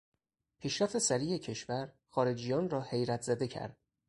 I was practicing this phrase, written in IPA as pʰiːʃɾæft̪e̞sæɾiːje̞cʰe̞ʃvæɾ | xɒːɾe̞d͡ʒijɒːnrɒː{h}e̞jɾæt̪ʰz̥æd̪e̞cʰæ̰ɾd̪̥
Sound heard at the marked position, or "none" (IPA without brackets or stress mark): h